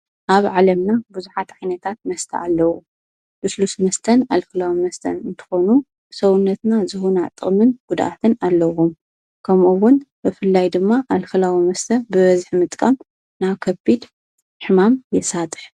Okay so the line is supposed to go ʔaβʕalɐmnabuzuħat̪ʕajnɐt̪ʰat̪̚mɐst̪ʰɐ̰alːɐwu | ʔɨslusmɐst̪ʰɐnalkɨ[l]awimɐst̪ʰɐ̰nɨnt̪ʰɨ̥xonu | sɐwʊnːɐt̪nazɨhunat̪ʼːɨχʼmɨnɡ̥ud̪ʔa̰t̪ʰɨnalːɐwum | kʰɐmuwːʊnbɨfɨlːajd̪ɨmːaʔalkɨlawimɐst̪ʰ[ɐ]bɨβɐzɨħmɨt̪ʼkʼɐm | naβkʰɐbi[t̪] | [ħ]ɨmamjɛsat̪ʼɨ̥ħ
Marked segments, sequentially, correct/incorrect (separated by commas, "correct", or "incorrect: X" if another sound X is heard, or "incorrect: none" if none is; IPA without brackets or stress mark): correct, correct, incorrect: d̪, correct